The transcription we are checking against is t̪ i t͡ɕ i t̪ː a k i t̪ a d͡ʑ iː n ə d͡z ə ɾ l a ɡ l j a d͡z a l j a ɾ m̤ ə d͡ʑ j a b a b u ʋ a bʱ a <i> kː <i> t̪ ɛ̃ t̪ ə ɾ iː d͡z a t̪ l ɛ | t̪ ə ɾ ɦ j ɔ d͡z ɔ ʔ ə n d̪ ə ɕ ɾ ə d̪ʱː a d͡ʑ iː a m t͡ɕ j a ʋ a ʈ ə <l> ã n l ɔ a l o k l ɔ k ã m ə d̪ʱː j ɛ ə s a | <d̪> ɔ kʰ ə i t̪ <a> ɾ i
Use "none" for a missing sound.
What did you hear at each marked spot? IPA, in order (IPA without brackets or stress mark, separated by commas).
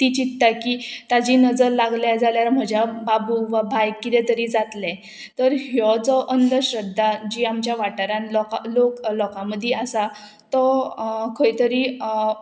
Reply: j, i, ɾ, t̪, ə